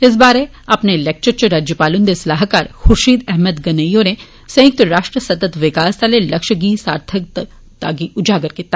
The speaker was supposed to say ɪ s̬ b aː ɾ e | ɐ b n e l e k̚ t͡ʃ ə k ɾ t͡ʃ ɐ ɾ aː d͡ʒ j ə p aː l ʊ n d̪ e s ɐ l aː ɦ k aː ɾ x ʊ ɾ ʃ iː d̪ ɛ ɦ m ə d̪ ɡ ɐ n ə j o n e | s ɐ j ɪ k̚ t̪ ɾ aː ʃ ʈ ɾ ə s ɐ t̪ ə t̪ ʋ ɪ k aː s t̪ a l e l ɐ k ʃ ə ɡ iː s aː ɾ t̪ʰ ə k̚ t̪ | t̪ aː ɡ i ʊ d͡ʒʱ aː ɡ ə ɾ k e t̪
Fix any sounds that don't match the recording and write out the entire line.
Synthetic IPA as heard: ɪ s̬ b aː ɾ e | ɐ p n e l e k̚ t͡ʃ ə ɾ t͡ʃ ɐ ɾ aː d͡ʒ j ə p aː l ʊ n d̪ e s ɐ l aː ɦ k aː ɾ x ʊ ɾ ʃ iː d̪ ɛ ɦ m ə d̪ ɡ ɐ n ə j o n e | s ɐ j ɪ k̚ t̪ ɾ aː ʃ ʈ ɾ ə s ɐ t̪ ə t̪ ʋ ɪ k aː s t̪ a l e l ɐ k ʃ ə ɡ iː s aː ɾ t̪ʰ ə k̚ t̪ | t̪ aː ɡ i ʊ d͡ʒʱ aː ɡ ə ɾ k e t̪